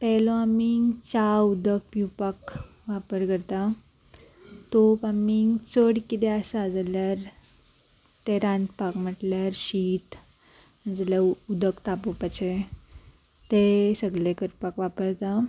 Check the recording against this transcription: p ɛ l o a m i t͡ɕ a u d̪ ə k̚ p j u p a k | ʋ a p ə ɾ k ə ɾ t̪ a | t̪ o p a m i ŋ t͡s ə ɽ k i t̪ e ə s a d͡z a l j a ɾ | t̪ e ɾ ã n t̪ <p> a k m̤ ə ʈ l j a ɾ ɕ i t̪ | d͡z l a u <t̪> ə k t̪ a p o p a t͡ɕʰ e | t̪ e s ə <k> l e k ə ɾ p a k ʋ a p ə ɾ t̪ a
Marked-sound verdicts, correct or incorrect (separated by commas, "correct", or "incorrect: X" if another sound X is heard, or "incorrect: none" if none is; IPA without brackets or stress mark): correct, incorrect: d̪, incorrect: ɡ